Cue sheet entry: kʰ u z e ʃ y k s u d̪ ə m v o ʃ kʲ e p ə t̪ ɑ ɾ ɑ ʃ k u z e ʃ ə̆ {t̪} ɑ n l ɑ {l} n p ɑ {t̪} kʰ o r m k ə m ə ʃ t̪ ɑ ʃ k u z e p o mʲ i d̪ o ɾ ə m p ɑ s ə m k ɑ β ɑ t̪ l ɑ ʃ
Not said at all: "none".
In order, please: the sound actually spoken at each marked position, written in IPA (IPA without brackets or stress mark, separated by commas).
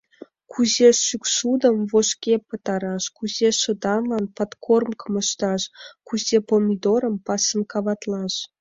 d̪, none, t̪